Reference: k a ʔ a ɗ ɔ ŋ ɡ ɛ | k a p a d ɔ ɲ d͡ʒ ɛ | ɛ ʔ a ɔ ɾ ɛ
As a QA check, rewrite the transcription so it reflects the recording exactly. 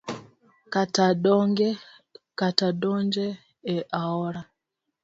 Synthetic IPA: k a t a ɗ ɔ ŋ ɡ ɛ | k a t a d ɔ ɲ d͡ʒ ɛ | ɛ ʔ a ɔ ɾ a